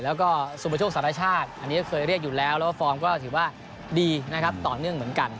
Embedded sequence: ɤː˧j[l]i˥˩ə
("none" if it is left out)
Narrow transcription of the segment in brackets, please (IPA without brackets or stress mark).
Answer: ɾ